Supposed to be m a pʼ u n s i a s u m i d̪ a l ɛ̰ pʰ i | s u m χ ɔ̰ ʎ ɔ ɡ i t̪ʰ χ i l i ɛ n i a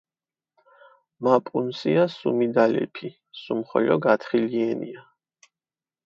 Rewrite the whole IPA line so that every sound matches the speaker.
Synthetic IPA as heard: m a pʼ u n s i a s u m i d̪ a l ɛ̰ pʰ i | s u m χ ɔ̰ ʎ ɔ ɡ a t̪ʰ χ i l i ɛ n i a